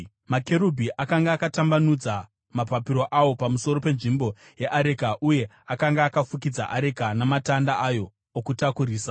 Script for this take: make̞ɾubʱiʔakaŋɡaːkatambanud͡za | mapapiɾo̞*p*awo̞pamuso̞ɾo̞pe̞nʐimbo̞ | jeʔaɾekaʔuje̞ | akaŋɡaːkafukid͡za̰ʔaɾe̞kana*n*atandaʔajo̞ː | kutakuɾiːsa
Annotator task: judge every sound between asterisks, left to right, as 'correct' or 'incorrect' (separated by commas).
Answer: incorrect, incorrect